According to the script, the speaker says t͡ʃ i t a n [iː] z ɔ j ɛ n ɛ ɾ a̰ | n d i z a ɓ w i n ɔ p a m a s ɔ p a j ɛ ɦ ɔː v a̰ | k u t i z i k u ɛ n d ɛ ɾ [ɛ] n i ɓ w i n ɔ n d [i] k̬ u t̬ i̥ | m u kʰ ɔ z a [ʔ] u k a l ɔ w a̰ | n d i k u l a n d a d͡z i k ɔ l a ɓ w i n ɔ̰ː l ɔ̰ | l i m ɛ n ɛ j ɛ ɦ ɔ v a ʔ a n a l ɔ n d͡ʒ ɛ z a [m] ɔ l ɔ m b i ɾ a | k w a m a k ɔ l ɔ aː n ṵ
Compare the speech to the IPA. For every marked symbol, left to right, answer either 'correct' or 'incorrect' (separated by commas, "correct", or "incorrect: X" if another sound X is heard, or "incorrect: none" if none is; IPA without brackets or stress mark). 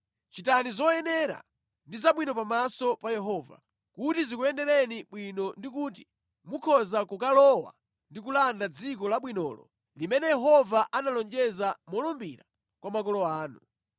incorrect: i, correct, correct, incorrect: k, correct